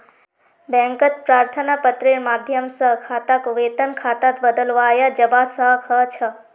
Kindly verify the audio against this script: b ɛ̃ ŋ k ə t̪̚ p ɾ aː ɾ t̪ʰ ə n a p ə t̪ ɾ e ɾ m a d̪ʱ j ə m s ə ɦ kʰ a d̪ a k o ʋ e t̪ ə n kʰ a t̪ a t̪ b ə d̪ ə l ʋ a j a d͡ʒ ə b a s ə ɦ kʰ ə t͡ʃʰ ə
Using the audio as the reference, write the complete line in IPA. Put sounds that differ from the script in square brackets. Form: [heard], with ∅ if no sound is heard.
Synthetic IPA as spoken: b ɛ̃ ŋ k ə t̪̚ p ɾ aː ɾ t̪ʰ ə n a p ə t̪ ɾ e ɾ m a d̪ʱ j ə m s ə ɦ kʰ a [t̪] a k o ʋ e t̪ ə n kʰ a t̪ a t̪ b ə d̪ ə l ʋ a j a d͡ʒ ə b a s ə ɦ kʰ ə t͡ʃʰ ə